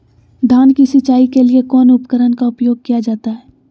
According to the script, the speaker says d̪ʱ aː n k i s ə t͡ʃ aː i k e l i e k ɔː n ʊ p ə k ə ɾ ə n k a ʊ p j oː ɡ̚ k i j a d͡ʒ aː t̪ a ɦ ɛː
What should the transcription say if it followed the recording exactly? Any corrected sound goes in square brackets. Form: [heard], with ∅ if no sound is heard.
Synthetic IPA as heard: d̪ʱ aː n k i s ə t͡ʃ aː i k e l i e k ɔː n ʊ p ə k ə ɾ ə n k a ʊ p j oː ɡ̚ k i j a d͡ʒ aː t̪ a ɦ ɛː